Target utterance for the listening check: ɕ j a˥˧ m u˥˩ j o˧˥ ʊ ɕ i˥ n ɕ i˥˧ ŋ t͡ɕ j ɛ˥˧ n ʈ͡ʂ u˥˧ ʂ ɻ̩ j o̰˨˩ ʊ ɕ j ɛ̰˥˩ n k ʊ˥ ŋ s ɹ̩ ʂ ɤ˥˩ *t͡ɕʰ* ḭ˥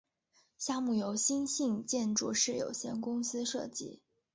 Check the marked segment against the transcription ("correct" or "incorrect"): incorrect